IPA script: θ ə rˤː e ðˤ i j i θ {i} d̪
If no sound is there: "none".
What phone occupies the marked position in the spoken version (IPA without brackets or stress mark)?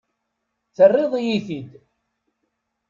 i